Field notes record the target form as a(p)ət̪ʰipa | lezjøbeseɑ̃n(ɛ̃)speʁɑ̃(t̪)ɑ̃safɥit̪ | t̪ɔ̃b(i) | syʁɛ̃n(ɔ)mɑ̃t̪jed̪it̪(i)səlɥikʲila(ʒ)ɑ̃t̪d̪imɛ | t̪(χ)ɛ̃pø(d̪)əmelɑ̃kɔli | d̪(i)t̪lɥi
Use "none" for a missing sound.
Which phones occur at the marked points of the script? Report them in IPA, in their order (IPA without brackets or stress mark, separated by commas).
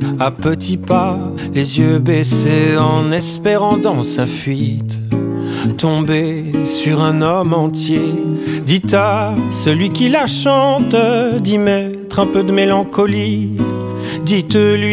p, ɛ, d̪, e, ɔ, a, ʃ, χ, d̪, i